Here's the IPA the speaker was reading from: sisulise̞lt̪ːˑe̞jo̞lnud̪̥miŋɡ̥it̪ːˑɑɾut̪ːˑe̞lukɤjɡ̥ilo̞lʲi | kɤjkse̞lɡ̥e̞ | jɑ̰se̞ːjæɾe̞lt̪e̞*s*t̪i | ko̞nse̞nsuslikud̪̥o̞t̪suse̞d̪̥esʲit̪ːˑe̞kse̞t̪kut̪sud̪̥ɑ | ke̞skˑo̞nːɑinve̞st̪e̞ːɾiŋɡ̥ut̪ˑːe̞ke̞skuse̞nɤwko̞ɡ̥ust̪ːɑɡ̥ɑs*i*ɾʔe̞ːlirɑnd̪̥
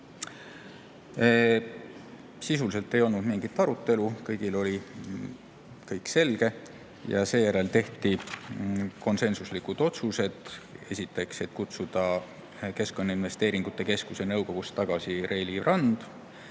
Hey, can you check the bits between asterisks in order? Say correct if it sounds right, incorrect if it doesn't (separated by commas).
incorrect, correct